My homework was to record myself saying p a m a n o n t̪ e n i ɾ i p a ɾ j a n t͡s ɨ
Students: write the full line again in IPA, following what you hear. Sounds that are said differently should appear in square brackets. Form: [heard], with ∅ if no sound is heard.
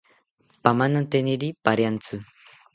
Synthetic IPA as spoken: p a m a n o n t̪ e n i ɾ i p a ɾ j a n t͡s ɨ